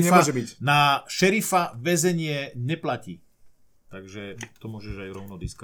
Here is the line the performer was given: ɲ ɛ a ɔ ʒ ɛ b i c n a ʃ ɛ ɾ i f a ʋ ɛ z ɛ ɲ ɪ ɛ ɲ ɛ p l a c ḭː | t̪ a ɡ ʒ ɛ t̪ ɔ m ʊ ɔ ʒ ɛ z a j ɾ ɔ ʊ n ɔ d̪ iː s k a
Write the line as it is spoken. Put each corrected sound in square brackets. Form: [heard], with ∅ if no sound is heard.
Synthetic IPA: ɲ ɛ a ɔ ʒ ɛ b i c n a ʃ ɛ ɾ i f a ʋ ɛ z ɛ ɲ ɪ ɛ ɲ ɛ p l a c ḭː | t̪ a ɡ ʒ ɛ t̪ ɔ m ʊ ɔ ʒ ɛ [ʒ] a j ɾ ɔ ʊ n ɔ d̪ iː s k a